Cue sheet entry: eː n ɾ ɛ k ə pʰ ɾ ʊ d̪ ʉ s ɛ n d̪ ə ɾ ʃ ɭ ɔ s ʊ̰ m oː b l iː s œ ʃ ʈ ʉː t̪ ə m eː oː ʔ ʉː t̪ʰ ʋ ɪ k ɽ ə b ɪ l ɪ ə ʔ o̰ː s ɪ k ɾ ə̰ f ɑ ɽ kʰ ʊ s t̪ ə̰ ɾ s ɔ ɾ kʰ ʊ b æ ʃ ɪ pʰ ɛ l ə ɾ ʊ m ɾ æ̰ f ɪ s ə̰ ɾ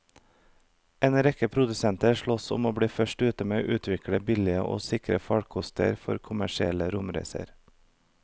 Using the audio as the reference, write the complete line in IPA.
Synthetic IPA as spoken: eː n ɾ ɛ k ə pʰ ɾ ʊ d̪ ʉ s ɛ n t̪ ə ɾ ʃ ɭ ɔ s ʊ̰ m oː b ɽ iː f œ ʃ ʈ ʉː t̪ ə m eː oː ʔ ʉː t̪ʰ ʋ ɪ k ɽ ə b ɪ l ɪ ə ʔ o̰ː s ɪ k ɾ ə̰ f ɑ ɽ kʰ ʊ s t̪ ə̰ ɾ f ɔ ɾ kʰ ʊ m æ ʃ ɪ ɛ l ə ɾ ʊ m ɾ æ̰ ɪ s ə̰ ɾ

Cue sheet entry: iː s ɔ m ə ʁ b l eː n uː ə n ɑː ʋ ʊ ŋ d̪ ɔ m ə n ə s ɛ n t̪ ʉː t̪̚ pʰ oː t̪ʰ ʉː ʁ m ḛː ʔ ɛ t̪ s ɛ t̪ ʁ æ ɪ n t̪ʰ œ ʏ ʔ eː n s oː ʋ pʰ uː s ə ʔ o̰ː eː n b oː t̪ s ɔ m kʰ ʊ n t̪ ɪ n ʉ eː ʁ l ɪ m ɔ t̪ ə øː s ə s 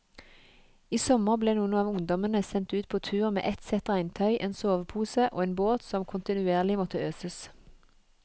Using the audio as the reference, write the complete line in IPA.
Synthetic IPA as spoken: iː s ɔ m ə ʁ b l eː n uː ə n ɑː ʋ ʊ ŋ d̪ ɔ m ə n ə s ɛ n t̪ ʉː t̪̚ pʰ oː t̪ʰ ʉː ʁ m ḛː ʔ ɛ t̪ s ɛ t̪ ʁ æ ɪ n t̪ʰ œ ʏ ʔ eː n s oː ʋ pʰ uː s ə ʔ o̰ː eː n b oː t̪ s ɔ m kʰ ʊ n t̪ ɪ n ʉ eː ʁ l ɪ m ɔ t̪ ə øː s ə s

